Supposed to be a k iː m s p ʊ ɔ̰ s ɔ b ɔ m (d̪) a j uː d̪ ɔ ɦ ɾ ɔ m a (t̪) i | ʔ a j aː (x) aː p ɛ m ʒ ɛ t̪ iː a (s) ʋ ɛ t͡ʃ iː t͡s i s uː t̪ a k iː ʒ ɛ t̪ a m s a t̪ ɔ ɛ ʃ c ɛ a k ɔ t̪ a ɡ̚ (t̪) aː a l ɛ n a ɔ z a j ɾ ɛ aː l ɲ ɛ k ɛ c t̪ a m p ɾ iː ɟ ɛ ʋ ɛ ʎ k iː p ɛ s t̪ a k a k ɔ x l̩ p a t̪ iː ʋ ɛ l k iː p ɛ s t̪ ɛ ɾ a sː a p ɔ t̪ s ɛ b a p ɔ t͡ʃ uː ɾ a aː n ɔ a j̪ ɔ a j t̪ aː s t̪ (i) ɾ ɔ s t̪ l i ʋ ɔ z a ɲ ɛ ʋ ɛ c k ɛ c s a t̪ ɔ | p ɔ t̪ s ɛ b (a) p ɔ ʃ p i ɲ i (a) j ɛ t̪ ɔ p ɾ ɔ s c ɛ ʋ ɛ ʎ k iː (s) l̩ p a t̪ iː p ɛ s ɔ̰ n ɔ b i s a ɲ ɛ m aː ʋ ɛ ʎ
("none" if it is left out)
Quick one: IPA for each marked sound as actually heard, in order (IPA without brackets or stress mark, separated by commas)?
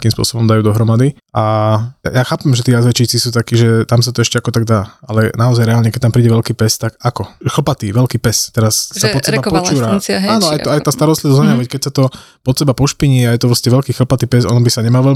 d̪, d̪, x, z, d̪, a, a, a, x